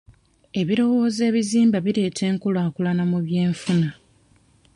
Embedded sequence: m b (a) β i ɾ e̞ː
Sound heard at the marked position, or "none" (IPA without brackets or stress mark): a